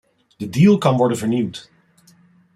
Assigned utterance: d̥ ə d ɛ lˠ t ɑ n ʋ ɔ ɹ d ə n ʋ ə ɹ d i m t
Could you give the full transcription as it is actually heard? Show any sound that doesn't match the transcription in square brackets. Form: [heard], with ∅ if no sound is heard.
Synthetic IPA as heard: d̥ ə d [i] lˠ [k] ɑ n ʋ ɔ ɹ d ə n [v] ə ɹ [n] i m t